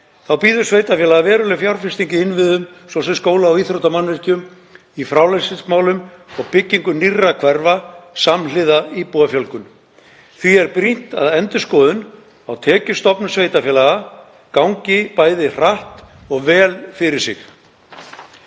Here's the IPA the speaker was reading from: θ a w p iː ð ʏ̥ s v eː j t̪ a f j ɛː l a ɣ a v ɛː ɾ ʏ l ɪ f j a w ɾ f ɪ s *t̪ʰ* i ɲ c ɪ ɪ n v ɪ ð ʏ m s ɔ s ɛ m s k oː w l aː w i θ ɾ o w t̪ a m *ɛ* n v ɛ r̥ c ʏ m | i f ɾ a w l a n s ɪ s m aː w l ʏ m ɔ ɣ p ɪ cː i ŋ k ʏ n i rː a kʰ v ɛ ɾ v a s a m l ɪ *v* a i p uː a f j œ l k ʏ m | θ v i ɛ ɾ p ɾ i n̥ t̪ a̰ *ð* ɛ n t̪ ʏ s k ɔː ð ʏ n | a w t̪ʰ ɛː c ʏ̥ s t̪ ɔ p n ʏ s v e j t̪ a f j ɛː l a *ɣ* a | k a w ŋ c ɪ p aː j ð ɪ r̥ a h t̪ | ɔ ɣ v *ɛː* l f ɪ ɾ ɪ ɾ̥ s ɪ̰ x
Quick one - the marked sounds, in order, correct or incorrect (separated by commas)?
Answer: incorrect, incorrect, incorrect, correct, correct, correct